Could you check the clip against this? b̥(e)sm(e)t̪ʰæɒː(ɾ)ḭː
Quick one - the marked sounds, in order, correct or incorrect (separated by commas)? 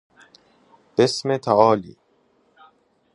correct, correct, incorrect